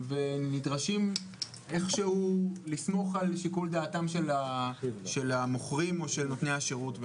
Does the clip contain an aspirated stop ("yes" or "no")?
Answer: no